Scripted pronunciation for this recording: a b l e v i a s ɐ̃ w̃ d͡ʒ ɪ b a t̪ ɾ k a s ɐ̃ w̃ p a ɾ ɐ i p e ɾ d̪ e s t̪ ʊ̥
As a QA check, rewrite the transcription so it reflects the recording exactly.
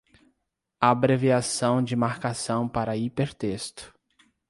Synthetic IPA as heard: a b ɾ e v i a s ɐ̃ w̃ d͡ʒ ɪ m a ɾ k a s ɐ̃ w̃ p a ɾ ɐ i p e ɾ t̪ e s t̪ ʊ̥